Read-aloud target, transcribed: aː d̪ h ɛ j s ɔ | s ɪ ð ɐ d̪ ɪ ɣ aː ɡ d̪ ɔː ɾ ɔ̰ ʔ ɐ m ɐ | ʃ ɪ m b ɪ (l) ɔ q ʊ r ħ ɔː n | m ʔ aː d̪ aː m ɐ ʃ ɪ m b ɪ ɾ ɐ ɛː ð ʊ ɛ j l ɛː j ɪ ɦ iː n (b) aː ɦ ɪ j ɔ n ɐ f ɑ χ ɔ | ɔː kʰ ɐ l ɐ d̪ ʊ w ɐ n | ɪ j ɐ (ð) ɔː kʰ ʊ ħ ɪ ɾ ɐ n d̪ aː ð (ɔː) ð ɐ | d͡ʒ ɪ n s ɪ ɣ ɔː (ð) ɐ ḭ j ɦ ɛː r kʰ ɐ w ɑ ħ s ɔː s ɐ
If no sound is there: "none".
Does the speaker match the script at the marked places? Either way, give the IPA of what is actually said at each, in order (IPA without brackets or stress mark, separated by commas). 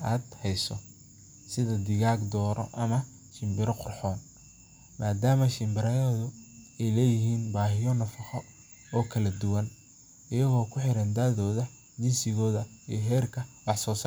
ɾ, b, ɣ, ɔː, ð